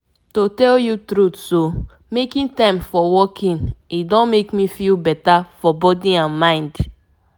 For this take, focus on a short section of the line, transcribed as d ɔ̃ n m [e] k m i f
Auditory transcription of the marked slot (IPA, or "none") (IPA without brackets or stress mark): e